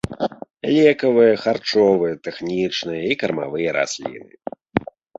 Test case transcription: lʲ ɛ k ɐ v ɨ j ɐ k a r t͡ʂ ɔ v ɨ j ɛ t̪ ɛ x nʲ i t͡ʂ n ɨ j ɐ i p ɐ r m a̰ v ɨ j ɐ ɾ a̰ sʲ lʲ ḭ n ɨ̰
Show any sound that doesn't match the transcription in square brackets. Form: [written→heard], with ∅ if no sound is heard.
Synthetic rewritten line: lʲ ɛ k ɐ v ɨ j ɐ [k→x] a r t͡ʂ ɔ v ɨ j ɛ t̪ ɛ x nʲ i t͡ʂ n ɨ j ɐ i [p→k] ɐ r m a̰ v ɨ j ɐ ɾ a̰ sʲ lʲ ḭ n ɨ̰